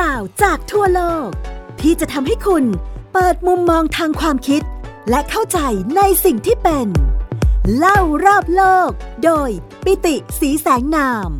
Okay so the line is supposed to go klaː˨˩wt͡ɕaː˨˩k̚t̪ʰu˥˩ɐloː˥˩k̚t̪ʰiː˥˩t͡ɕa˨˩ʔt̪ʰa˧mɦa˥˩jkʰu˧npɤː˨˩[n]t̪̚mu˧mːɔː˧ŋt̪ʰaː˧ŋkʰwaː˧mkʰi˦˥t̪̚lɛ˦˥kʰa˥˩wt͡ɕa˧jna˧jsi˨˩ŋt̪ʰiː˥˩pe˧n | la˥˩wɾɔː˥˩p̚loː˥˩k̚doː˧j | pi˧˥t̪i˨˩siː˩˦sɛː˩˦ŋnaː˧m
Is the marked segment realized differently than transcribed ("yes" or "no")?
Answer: yes